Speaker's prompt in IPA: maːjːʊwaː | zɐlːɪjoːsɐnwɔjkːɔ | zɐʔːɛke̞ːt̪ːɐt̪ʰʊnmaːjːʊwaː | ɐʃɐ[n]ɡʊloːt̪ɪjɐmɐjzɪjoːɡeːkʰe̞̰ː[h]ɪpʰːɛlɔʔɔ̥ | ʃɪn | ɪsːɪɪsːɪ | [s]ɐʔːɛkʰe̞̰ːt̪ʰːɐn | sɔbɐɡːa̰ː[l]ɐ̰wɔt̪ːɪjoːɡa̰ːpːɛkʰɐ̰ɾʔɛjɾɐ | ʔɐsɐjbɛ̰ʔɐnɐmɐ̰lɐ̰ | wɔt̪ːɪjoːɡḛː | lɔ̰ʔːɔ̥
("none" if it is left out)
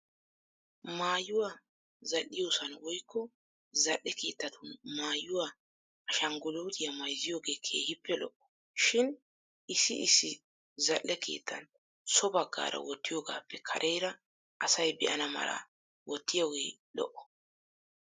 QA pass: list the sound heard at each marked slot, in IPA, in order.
ŋ, h, z, ɾ

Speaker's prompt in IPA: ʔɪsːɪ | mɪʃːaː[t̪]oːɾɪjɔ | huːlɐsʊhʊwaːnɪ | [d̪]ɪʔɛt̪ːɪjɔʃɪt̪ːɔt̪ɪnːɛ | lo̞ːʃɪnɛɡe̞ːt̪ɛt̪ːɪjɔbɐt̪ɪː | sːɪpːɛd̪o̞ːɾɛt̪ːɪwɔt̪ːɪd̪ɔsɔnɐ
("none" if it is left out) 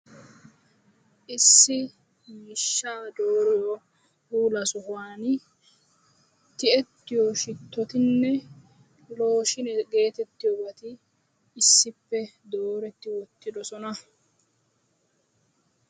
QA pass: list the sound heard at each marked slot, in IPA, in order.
d̪, t̪

